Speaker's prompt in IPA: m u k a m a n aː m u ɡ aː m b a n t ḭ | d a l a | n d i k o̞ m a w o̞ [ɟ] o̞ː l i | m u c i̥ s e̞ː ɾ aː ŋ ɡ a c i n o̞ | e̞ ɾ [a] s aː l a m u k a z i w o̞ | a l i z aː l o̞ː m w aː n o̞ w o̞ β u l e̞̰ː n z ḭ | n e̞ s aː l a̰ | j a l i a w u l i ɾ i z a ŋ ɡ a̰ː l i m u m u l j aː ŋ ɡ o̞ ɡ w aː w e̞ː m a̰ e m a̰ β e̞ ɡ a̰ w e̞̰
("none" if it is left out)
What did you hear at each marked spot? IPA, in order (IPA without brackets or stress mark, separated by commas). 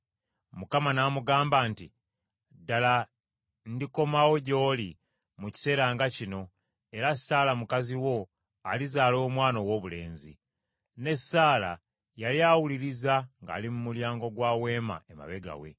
ɟ, a